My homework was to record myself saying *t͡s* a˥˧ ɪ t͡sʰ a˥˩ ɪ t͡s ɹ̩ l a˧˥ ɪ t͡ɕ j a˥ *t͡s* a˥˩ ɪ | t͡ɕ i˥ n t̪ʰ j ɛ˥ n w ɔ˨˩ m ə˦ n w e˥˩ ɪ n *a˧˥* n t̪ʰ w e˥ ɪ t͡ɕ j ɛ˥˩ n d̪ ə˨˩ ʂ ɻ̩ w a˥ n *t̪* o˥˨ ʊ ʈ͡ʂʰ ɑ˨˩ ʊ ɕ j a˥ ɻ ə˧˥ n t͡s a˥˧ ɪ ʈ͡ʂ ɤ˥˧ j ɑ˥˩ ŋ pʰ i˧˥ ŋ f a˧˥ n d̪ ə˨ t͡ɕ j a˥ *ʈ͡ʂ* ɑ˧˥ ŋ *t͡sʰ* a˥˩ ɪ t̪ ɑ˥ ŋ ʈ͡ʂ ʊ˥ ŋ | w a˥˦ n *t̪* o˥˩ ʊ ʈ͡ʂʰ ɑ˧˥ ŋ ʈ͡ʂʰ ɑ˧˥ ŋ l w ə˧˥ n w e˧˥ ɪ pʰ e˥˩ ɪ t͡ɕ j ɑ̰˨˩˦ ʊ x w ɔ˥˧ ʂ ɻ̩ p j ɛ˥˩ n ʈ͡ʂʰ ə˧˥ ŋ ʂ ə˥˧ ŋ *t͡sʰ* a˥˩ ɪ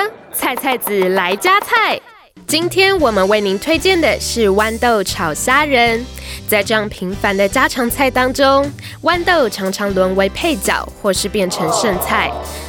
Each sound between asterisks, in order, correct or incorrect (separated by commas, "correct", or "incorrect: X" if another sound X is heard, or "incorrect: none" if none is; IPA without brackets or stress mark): incorrect: t͡sʰ, incorrect: t͡sʰ, incorrect: i˧˥, correct, incorrect: ʈ͡ʂʰ, correct, correct, correct